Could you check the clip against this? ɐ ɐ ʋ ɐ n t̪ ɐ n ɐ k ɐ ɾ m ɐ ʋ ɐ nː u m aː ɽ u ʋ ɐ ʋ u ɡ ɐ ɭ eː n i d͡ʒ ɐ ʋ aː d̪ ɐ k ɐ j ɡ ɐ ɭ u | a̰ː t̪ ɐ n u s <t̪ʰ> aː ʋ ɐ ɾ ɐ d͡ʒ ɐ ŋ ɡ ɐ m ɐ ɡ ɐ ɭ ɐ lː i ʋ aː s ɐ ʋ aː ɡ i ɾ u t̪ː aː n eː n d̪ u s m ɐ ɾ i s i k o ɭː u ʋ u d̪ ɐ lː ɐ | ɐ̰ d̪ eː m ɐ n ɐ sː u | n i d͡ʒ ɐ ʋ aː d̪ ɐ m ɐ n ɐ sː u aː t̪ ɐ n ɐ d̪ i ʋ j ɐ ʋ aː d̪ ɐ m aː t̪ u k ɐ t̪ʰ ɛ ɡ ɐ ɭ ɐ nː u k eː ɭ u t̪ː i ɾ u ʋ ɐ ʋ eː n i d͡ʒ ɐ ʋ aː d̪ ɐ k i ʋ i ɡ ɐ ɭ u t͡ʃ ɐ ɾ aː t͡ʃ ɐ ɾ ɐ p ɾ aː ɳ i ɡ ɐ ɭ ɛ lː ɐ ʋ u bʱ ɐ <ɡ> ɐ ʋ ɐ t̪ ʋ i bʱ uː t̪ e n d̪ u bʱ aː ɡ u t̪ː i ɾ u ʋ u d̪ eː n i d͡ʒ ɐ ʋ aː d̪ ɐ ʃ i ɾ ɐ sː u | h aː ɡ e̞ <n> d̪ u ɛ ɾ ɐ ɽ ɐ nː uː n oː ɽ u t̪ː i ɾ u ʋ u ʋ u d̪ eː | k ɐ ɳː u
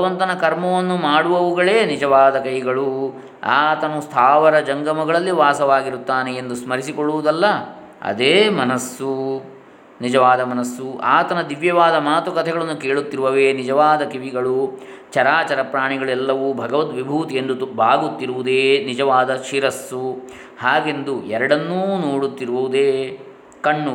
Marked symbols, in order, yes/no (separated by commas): yes, yes, yes